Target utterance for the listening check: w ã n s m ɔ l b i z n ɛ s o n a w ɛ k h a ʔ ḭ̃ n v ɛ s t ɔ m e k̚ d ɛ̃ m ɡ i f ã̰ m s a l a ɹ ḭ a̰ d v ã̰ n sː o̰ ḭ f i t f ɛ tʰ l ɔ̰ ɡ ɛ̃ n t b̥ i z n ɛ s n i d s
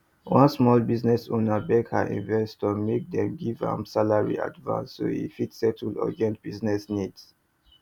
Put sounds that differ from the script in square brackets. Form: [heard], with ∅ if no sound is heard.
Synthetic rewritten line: w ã n s m ɔ l b i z n ɛ s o n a [b] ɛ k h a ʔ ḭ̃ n v ɛ s t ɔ m e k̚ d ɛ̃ m ɡ i [v] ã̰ m s a l a ɹ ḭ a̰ d v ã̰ n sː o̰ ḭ f i t [s] ɛ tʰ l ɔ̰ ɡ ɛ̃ n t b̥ i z n ɛ s n i d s